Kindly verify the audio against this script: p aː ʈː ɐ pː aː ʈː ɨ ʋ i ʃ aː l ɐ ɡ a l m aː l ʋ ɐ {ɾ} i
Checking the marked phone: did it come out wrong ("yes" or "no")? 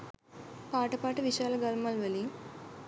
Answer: yes